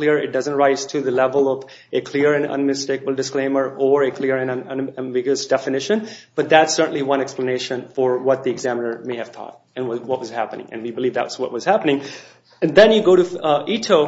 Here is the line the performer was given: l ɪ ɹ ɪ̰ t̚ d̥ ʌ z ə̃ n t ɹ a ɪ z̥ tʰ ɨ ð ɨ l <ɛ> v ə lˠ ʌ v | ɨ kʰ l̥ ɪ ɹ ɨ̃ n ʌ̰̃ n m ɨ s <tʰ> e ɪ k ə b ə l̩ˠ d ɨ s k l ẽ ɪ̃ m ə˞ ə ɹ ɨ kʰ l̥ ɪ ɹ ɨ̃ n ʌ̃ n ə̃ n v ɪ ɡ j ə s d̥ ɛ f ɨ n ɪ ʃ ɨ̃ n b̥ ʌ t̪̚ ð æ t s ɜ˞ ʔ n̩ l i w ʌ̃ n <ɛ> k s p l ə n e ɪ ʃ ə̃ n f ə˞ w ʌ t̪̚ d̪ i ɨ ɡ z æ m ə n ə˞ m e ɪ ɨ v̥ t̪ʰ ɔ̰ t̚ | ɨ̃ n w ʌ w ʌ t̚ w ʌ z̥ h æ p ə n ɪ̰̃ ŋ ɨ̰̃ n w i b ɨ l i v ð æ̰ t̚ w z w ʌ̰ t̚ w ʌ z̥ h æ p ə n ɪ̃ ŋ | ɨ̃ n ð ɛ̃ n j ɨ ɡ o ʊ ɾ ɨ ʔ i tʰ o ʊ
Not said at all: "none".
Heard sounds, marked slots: ɛ, t, ɛ

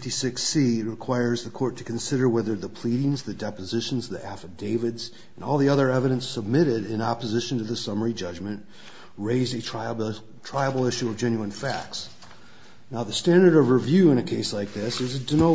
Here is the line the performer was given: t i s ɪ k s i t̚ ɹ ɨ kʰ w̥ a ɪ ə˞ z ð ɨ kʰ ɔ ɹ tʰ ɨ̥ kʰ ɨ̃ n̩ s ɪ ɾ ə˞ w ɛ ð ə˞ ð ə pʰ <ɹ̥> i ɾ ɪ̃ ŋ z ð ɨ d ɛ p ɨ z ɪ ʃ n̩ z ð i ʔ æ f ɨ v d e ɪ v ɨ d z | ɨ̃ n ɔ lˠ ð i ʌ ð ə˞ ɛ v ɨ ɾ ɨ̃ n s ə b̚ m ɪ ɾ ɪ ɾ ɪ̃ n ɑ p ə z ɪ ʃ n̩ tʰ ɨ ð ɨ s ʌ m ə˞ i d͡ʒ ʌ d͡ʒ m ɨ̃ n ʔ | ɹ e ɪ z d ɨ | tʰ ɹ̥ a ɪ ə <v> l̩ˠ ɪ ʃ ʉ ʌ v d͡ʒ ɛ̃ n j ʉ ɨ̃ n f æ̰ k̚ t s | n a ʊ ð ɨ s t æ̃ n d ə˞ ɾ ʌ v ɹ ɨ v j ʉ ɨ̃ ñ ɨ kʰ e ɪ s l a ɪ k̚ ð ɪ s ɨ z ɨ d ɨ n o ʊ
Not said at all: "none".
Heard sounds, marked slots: l̥, b

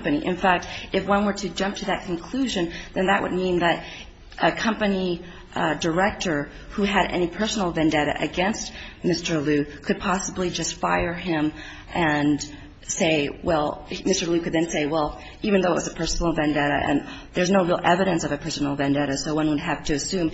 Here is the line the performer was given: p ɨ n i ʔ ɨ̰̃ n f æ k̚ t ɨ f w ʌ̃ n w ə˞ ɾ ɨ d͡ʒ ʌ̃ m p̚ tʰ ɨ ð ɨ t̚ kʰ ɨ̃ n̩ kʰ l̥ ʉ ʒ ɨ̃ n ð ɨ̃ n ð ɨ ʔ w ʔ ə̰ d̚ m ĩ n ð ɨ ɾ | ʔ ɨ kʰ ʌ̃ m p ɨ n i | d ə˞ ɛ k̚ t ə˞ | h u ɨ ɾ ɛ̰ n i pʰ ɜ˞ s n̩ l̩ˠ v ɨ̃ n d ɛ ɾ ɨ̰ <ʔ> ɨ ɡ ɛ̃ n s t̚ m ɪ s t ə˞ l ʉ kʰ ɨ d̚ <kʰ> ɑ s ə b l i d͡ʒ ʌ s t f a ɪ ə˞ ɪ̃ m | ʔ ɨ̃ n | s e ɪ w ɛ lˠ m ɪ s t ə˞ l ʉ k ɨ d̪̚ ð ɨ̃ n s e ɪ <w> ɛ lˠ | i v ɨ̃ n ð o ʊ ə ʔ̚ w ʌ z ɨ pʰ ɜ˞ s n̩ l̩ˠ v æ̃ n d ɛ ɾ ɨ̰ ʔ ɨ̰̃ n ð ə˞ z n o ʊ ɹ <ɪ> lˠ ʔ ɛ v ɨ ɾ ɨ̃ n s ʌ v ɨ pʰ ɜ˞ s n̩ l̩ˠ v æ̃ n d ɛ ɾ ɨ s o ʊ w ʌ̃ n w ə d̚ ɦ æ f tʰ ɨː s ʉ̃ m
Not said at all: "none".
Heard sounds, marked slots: ʔ, pʰ, w, i

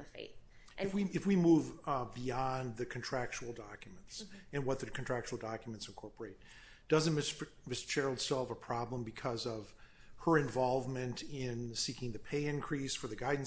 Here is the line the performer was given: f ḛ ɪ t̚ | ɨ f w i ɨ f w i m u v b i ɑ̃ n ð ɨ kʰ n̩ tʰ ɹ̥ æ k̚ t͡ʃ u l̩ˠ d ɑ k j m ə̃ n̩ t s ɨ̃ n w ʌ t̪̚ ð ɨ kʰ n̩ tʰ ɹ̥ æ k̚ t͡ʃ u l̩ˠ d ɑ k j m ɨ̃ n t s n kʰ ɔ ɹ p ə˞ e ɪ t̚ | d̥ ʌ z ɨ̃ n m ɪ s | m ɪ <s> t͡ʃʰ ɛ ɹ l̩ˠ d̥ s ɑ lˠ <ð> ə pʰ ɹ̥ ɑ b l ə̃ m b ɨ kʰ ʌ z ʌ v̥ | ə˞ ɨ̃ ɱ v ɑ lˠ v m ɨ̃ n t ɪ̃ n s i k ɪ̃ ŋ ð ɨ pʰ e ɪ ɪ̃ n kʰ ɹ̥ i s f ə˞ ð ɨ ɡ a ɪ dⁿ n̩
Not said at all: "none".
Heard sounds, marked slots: s, v

